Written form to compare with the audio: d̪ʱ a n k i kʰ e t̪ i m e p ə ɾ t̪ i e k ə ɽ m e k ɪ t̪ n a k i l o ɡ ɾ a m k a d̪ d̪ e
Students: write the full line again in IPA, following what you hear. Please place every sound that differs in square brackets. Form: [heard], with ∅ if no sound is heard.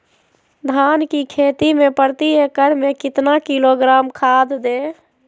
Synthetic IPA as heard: d̪ʱ a n k i kʰ e t̪ i m e p ə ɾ t̪ i e k ə [ɾ] m e k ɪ t̪ n a k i l o ɡ ɾ a m [kʰ] a d̪ d̪ e